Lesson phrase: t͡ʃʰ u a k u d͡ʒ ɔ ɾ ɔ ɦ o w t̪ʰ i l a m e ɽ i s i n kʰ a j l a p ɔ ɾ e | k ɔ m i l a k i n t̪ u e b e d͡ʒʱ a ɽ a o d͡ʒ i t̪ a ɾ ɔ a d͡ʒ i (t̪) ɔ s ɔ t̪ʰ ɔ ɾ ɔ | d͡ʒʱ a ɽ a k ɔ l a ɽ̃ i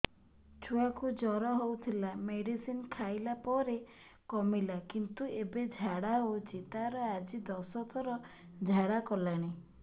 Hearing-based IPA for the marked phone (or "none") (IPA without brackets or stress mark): d̪